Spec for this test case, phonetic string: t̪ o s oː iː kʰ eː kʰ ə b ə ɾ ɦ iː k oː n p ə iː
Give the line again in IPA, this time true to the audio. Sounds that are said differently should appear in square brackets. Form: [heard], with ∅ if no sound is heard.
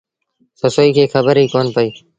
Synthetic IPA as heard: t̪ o s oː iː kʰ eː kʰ ə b ə ɾ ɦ iː k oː n p ə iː